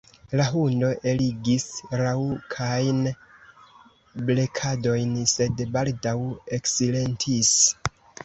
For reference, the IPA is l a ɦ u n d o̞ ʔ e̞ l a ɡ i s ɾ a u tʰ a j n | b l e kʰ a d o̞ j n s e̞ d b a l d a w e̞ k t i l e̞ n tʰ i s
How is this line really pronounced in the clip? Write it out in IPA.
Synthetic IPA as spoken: l a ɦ u n d o̞ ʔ e̞ l i ɡ i s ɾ a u kʰ a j n | b l e kʰ a d o̞ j n s e̞ d b a l d a w e̞ k s i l e̞ n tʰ i s